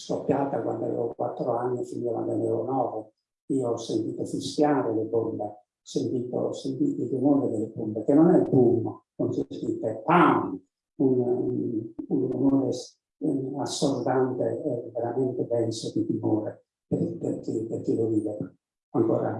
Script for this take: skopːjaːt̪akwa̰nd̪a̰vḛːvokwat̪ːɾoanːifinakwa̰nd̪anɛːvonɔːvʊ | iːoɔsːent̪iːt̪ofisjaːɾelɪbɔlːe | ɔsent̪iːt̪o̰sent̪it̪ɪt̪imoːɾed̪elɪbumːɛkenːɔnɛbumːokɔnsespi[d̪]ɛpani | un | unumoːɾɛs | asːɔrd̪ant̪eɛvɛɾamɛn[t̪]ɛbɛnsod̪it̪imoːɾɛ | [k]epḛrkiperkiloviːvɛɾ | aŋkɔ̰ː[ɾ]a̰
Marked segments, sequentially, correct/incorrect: incorrect, correct, incorrect, correct

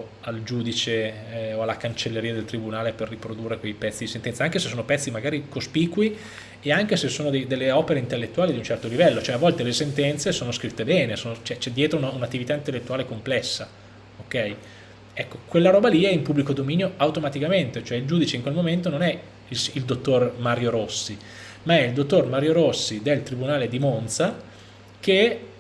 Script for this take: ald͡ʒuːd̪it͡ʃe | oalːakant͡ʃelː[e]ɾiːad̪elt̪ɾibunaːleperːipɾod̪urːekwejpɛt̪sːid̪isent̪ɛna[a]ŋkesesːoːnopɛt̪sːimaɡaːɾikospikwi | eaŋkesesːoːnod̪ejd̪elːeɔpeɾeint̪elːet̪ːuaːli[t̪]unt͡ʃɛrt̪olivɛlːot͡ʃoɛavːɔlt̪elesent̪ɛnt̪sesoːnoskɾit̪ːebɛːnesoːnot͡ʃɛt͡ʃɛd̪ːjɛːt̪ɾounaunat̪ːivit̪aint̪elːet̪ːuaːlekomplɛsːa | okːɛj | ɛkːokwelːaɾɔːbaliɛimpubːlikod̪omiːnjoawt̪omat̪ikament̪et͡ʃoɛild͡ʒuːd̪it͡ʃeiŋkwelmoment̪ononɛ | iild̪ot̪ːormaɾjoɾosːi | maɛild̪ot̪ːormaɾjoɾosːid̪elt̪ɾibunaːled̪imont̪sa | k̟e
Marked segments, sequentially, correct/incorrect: correct, correct, incorrect

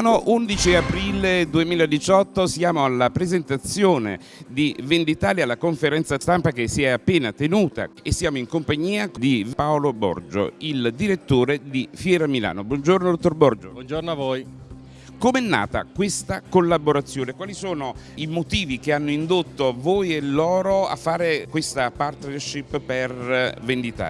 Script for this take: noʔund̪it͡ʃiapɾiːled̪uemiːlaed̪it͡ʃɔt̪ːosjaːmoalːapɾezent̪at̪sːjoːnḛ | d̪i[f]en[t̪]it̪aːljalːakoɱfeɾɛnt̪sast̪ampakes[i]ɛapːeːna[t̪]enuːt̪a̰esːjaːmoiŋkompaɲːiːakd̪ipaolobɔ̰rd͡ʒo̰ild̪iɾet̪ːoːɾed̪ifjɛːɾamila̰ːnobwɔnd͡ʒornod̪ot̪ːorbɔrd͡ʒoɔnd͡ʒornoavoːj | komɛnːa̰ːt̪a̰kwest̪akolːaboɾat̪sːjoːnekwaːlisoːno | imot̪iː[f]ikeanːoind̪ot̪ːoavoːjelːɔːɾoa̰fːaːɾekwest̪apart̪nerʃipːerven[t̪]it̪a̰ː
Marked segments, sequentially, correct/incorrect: incorrect, incorrect, correct, correct, incorrect, incorrect

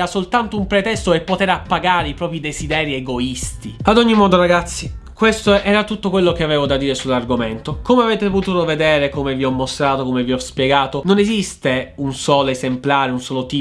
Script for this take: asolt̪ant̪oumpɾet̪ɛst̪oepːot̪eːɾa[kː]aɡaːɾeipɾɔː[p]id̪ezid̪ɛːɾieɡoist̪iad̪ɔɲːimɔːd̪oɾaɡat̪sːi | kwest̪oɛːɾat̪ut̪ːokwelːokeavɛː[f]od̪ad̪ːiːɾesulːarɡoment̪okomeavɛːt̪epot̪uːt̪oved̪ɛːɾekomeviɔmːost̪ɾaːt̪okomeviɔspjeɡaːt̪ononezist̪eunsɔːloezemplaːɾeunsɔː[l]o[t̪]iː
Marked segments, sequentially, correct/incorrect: incorrect, correct, incorrect, correct, correct

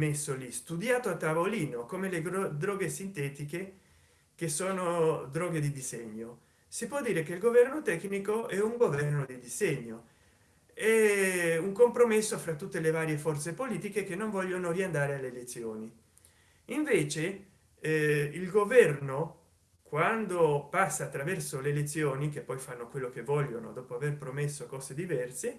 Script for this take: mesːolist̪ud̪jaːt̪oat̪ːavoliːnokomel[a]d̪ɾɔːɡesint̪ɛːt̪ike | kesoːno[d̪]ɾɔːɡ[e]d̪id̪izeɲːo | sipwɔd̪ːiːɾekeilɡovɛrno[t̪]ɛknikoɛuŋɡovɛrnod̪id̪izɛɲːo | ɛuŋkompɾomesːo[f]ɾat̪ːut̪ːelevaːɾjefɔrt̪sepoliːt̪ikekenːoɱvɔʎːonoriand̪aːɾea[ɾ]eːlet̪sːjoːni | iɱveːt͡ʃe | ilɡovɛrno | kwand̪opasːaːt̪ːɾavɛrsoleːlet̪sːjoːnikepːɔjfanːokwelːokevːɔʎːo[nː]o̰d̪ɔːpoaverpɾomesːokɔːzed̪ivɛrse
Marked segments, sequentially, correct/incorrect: incorrect, correct, correct, correct, correct, incorrect, incorrect

